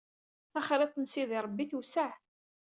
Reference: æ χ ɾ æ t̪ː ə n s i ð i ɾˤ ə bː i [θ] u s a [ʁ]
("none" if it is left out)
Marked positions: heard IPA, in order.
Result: θ, ʕ

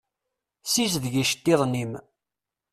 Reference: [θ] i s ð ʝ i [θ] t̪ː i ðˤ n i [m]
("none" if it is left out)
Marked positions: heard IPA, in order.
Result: s, ʃ, m

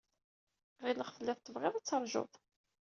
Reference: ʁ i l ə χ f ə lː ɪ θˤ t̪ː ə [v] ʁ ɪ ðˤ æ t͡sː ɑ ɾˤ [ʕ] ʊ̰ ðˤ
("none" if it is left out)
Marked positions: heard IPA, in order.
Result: v, ʒ

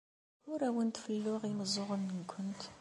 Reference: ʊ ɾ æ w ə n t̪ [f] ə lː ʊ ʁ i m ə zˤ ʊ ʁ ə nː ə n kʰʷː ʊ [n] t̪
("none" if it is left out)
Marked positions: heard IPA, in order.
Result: f, n

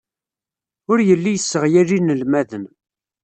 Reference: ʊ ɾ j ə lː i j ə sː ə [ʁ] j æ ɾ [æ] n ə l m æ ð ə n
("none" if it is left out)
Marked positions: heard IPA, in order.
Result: ʁ, i

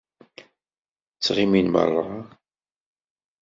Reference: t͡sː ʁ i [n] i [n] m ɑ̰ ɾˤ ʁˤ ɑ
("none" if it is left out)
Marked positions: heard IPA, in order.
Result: m, n

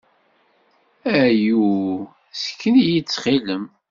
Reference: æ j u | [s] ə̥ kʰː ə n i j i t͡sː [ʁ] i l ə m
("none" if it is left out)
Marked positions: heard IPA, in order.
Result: s, χ

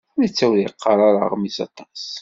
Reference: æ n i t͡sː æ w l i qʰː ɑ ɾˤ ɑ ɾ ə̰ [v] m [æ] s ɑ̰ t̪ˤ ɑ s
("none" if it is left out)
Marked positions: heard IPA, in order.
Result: ʁ, i

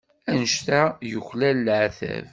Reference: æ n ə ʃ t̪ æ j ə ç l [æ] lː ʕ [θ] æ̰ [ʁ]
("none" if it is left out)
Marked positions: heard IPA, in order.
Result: æ, θ, v

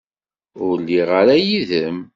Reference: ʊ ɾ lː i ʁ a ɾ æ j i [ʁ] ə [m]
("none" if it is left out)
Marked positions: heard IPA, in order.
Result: ð, m

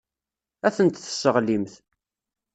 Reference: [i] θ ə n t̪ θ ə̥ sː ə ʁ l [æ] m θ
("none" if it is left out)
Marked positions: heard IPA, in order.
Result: æ, i

